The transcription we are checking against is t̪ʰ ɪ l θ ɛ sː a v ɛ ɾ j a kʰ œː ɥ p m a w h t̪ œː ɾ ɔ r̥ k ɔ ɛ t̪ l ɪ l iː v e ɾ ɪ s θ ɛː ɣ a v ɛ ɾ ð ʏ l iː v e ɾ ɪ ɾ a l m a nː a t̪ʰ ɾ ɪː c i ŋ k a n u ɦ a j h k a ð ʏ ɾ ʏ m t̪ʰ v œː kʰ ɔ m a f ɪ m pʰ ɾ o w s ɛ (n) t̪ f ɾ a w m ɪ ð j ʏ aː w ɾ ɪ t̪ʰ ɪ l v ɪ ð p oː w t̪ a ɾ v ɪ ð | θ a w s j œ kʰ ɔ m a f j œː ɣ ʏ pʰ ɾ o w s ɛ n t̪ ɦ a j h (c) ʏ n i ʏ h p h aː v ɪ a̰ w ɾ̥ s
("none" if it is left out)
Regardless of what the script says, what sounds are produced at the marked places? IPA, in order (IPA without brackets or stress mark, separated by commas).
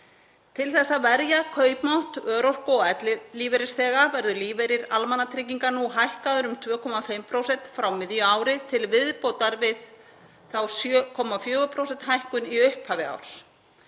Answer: n, k